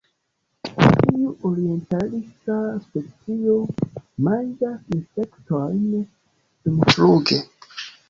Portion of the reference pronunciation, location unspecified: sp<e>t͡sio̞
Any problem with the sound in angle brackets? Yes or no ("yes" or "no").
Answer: no